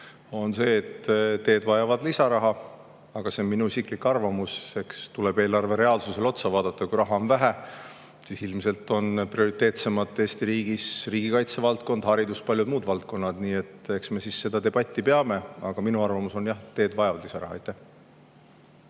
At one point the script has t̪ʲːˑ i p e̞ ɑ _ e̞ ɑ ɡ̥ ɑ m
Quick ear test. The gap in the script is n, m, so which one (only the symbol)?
m